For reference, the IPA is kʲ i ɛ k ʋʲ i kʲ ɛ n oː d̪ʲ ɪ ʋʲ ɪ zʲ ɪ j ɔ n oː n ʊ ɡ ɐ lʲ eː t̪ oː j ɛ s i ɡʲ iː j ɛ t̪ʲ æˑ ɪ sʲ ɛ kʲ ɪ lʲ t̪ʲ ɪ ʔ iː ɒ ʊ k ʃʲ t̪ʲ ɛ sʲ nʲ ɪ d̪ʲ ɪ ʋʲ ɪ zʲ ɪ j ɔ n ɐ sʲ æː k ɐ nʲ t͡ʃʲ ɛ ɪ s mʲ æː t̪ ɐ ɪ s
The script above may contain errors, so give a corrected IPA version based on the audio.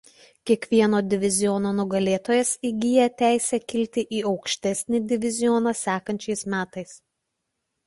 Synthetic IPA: kʲ i ɛ k ʋʲ i ɛ n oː d̪ʲ ɪ ʋʲ ɪ zʲ ɪ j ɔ n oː n ʊ ɡ ɐ lʲ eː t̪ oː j ɛ s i ɡʲ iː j ɛ t̪ʲ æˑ ɪ sʲ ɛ kʲ ɪ lʲ t̪ʲ ɪ ʔ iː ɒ ʊ k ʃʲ t̪ʲ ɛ sʲ nʲ ɪ d̪ʲ ɪ ʋʲ ɪ zʲ ɪ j ɔ n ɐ sʲ æː k ɐ nʲ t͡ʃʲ ɛ ɪ s mʲ æː t̪ ɐ ɪ s